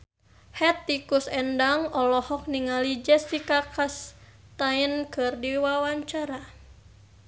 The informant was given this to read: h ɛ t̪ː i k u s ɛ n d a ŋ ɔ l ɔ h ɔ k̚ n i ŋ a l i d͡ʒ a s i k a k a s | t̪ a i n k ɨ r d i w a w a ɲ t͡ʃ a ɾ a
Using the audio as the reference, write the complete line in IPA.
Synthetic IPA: h ɛ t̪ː i k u s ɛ n d a ŋ ɔ l ɔ h ɔ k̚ n i ŋ a l i d͡ʒ ɛ s i k a k a s | t̪ a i n k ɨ r d i w a w a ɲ t͡ʃ a ɾ a